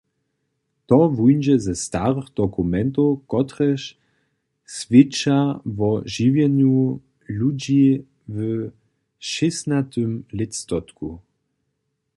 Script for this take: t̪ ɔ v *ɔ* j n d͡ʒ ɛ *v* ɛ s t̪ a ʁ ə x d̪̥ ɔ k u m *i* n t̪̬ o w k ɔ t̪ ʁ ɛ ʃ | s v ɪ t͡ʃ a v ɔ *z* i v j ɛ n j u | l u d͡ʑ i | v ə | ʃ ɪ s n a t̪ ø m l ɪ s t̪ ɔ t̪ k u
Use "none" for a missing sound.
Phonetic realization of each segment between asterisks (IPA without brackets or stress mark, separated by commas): u, z, ɛ, ʒ